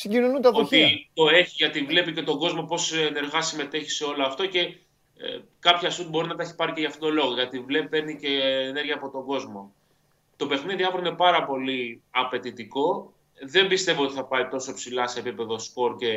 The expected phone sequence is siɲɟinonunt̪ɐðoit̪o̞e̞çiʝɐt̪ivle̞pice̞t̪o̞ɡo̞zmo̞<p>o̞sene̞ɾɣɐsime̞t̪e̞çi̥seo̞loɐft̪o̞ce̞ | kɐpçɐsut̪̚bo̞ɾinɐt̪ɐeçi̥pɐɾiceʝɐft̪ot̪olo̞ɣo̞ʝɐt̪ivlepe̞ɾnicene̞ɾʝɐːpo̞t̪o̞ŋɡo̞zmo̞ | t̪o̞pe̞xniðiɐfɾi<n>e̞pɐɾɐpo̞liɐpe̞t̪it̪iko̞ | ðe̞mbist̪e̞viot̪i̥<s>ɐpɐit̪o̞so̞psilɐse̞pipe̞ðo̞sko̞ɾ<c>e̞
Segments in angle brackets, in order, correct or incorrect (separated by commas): correct, correct, incorrect, correct